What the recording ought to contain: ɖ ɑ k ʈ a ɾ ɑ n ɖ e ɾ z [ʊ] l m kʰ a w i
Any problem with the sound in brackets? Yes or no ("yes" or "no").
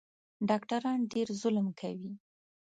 no